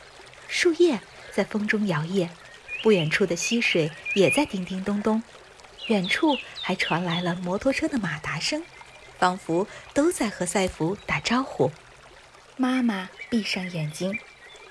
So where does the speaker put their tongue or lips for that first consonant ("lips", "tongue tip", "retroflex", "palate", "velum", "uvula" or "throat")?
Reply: retroflex